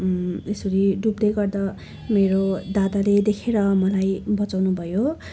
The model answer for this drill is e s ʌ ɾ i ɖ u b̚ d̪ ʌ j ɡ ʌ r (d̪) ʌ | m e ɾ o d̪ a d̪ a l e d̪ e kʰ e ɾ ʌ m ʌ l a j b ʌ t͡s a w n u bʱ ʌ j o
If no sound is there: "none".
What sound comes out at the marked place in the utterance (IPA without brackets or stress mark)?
d̪